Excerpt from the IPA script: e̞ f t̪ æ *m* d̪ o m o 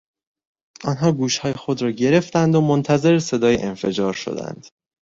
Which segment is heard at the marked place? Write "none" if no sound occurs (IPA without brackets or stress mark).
n